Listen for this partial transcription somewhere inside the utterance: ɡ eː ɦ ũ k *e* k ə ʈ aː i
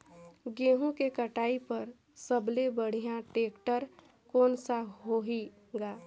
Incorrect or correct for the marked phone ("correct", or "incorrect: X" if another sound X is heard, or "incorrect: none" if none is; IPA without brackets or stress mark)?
correct